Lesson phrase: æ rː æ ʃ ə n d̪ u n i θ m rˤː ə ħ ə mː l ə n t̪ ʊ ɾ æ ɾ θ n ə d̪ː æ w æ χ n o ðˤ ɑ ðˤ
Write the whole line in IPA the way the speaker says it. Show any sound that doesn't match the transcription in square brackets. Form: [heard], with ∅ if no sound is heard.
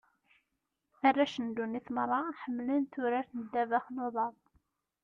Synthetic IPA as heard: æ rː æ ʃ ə n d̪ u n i θ m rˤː [ɑ] ħ ə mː l ə n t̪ ʊ ɾ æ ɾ θ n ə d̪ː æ [v] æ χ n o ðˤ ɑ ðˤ